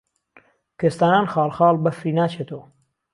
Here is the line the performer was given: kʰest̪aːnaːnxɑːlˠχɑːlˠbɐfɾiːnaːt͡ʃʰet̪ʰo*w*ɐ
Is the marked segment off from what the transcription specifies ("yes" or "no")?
no